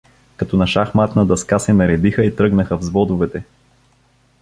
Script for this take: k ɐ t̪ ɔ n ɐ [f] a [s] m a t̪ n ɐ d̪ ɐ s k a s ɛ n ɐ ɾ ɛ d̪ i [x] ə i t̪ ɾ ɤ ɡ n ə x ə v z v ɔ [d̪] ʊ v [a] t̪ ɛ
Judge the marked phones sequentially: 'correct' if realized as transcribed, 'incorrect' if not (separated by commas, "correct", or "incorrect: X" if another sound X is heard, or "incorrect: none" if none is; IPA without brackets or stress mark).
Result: incorrect: ʃ, incorrect: x, correct, correct, incorrect: ɛ